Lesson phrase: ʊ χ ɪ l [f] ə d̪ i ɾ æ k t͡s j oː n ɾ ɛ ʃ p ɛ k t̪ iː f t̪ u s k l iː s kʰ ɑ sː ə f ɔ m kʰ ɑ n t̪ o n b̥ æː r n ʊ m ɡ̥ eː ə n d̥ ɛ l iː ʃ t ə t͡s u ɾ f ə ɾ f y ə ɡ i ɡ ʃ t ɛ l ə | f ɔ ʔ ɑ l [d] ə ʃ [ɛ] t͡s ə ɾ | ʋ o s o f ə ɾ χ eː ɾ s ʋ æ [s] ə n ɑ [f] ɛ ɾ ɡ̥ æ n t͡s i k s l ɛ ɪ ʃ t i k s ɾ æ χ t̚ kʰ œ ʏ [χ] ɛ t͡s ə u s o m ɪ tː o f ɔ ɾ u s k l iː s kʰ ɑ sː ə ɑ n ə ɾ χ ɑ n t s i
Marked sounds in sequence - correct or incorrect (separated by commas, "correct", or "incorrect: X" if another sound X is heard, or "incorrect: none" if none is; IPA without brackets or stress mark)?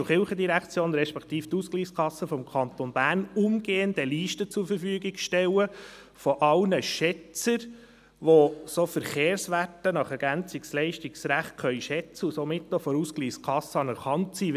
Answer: incorrect: χ, incorrect: n, correct, incorrect: t, incorrect: χ, incorrect: ʃ